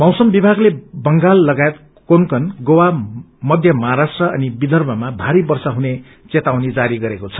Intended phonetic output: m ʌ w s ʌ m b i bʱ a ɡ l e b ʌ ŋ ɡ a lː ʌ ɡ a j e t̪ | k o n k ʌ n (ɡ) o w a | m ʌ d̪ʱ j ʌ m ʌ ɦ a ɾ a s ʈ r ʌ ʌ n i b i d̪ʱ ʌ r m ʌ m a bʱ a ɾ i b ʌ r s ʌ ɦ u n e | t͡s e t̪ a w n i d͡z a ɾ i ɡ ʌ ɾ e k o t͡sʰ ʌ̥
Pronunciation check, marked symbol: correct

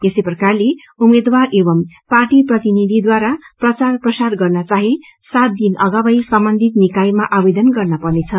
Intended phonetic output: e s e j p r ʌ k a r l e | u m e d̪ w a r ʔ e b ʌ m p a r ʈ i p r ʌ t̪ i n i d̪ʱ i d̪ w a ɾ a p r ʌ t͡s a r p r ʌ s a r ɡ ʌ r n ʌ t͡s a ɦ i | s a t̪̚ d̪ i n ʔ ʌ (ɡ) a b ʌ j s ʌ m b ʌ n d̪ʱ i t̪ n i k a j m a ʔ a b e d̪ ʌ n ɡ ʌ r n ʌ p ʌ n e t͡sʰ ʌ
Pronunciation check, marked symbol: correct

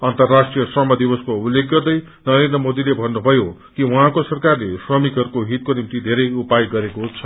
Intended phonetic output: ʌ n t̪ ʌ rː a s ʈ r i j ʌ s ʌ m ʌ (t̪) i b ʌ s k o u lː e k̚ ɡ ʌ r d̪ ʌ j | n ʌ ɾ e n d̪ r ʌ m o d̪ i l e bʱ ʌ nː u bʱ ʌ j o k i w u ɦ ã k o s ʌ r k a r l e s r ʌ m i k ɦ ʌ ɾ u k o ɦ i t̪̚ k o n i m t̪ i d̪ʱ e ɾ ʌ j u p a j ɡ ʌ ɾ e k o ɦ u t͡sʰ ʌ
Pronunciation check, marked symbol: incorrect: d̪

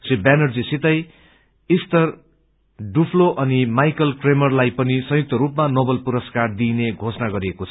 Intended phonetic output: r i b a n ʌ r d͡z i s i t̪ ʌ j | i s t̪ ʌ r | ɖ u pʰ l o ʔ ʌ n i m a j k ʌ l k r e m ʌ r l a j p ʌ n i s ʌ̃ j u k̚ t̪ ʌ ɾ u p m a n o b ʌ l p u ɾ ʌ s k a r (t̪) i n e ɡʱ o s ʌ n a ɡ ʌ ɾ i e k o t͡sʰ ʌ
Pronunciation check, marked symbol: incorrect: d̪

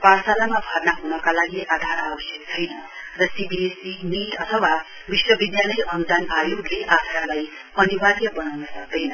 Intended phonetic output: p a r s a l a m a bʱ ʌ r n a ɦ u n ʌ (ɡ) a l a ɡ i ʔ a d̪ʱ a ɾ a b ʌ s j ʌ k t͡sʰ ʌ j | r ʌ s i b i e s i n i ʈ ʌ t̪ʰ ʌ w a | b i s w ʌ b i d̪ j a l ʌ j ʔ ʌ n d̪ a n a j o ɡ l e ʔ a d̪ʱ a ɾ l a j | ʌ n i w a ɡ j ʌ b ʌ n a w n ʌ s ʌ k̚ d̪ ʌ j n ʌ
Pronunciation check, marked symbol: incorrect: k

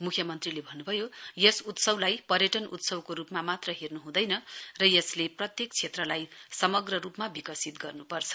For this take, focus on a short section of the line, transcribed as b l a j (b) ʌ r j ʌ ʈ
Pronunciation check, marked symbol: incorrect: p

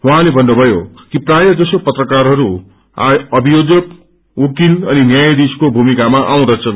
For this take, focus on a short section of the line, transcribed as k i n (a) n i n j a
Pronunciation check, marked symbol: incorrect: ʌ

